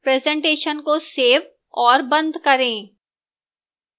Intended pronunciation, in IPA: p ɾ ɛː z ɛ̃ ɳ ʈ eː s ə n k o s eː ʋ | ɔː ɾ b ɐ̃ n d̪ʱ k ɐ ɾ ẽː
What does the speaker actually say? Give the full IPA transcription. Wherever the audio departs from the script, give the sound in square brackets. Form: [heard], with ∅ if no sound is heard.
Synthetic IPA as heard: p ɾ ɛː z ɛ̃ ɳ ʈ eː [ʃ] ə n k o s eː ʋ | ɔː ɾ b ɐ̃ n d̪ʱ k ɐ ɾ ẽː